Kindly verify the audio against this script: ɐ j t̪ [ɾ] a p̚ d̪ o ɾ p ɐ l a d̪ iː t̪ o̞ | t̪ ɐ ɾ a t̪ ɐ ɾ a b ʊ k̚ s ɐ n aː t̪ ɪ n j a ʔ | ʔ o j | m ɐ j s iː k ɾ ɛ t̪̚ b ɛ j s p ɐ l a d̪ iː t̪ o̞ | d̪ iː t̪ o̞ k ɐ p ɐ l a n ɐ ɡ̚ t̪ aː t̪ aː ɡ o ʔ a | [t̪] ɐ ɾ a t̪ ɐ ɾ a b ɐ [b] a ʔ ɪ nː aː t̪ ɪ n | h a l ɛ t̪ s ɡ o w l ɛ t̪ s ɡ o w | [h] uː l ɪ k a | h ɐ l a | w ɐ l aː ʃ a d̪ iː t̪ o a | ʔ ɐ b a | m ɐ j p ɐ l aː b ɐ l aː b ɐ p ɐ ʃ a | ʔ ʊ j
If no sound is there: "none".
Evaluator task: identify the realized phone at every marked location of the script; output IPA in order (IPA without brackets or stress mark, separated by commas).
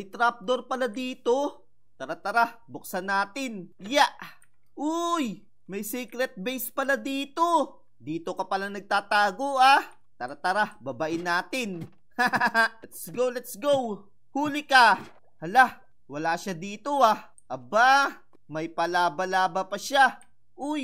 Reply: ɾ, t̪, b, h